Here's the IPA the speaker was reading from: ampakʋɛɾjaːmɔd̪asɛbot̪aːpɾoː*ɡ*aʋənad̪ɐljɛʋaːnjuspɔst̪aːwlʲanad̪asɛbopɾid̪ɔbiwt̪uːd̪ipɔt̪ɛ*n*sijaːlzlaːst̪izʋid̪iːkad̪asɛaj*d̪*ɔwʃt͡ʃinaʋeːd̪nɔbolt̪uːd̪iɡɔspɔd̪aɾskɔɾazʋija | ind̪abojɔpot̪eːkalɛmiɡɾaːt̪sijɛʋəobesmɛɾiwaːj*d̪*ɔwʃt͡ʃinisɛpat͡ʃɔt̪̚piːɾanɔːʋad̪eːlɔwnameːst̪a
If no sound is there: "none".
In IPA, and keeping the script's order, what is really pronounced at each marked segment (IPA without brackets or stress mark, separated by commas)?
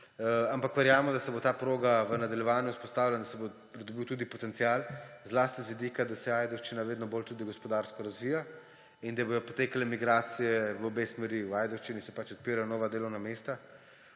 ɡ, n, d̪, d̪